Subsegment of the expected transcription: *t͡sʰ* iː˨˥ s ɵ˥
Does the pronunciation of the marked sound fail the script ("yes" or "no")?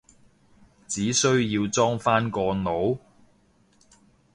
yes